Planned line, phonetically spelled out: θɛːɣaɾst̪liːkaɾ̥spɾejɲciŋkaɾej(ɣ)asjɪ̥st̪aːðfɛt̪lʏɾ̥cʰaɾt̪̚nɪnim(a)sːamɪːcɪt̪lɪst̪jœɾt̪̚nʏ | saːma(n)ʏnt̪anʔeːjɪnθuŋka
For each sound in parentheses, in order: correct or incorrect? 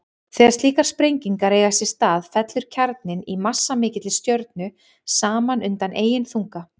correct, correct, correct

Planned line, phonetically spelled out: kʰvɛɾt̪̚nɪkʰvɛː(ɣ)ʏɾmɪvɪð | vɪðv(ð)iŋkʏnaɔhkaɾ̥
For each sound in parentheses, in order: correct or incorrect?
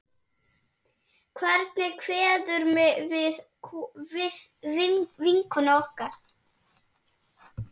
incorrect: ð, incorrect: v

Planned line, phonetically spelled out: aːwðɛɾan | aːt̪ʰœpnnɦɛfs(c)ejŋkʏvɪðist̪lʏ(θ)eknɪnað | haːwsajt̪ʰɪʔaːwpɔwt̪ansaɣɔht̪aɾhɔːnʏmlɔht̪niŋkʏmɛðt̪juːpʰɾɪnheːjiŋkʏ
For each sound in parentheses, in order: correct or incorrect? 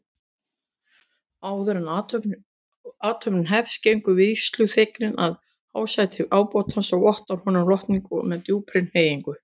correct, correct

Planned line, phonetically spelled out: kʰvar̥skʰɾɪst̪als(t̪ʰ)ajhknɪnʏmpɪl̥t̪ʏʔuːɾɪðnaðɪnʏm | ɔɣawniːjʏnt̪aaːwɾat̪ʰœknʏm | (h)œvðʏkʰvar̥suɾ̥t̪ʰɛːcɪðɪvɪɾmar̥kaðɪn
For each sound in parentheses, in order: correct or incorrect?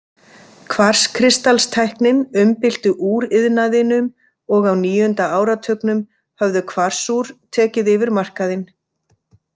correct, correct

